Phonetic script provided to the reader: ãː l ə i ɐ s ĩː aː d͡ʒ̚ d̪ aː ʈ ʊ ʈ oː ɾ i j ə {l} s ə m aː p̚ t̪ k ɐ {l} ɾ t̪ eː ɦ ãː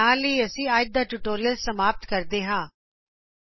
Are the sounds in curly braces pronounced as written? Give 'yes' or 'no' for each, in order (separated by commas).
yes, no